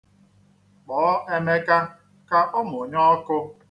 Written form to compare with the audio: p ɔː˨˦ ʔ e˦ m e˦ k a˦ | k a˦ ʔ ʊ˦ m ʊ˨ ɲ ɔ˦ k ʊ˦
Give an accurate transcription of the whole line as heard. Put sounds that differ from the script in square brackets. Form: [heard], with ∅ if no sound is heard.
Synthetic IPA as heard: [k͡p] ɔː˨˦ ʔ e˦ m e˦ k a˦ | k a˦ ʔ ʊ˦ m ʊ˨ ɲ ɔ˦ k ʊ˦